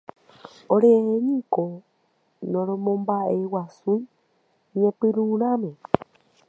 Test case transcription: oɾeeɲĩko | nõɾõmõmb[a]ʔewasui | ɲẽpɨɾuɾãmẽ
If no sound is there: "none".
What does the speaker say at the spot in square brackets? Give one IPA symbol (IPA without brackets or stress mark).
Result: a